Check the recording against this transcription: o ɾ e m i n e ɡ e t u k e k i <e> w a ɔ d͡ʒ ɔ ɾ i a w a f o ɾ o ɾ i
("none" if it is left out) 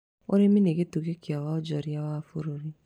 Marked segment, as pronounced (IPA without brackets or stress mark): a